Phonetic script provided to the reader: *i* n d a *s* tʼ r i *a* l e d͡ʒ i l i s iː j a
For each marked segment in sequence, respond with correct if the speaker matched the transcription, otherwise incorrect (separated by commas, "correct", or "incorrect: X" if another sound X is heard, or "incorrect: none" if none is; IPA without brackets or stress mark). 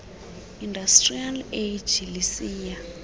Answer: correct, correct, correct